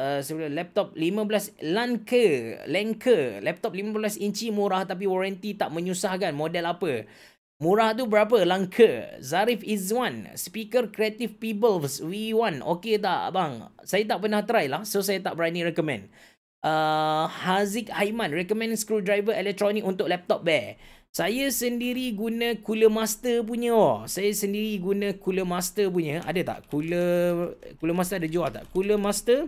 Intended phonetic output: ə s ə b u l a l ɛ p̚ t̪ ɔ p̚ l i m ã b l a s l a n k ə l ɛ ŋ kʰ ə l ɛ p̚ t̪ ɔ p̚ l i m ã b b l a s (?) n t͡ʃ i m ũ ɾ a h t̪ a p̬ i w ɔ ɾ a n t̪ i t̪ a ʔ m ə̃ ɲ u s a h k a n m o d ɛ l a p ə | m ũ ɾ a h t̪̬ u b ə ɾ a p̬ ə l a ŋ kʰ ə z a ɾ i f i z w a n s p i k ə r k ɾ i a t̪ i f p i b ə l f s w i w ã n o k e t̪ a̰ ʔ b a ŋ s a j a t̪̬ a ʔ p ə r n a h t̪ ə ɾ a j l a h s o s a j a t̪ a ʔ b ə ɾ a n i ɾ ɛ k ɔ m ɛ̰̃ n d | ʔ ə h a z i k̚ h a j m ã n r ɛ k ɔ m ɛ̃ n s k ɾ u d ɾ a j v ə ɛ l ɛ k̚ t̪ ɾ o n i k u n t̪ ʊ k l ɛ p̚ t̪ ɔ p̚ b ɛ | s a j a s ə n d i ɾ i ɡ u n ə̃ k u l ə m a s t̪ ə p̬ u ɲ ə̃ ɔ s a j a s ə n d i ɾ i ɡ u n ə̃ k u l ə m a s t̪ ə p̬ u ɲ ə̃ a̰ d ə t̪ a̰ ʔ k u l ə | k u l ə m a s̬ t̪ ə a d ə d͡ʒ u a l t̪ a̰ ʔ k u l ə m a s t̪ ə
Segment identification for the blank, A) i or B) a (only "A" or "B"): A